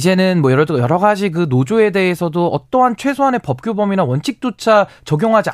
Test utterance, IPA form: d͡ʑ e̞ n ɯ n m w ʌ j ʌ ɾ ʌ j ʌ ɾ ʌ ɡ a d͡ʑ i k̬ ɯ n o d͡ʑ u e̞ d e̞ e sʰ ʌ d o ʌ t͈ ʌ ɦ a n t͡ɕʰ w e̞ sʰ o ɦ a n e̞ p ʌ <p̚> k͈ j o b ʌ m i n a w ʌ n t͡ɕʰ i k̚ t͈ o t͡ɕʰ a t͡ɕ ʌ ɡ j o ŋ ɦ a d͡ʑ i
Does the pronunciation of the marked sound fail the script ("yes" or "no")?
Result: no